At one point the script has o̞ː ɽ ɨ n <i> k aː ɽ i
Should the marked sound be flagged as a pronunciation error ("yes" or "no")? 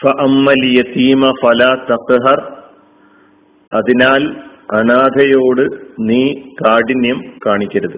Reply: yes